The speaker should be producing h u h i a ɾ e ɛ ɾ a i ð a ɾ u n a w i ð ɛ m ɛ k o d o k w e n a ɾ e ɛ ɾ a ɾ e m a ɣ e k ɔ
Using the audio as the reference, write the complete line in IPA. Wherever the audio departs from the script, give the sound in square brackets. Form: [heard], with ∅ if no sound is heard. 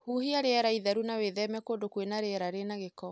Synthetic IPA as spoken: h u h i a ɾ e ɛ ɾ a i ð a ɾ u n a w [e] ð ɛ m ɛ k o d o k w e n a ɾ e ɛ ɾ a ɾ e [n] a ɣ e k ɔ